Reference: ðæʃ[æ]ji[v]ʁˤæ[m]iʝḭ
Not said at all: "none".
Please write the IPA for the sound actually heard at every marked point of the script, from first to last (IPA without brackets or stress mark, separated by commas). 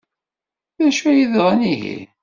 æ, ð, n